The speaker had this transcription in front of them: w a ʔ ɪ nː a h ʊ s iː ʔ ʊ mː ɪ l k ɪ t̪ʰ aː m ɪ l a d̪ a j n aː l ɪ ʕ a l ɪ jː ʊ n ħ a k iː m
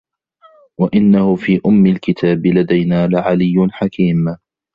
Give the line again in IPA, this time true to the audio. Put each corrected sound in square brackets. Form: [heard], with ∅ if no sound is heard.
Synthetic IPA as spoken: w a ʔ ɪ nː a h ʊ [f] iː ʔ ʊ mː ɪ l k ɪ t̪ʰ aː [b] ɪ l a d̪ a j n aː l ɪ ʕ a l ɪ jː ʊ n ħ a k iː m